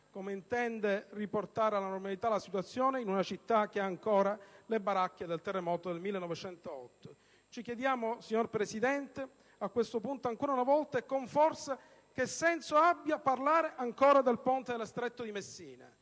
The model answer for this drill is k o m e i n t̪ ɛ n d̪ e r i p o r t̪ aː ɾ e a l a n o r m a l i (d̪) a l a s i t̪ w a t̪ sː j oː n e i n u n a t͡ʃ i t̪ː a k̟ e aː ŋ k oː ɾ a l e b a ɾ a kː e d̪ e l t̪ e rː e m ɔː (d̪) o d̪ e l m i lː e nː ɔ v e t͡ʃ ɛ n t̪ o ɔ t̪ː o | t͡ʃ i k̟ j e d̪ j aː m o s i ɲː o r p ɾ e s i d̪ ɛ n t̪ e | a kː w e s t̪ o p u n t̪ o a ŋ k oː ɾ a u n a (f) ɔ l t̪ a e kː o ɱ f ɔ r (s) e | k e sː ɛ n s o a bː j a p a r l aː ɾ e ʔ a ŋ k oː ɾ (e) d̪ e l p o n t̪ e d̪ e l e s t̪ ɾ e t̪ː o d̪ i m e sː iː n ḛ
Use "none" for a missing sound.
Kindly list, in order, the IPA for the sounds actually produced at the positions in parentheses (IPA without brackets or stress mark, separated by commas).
t̪, t̪, v, s, a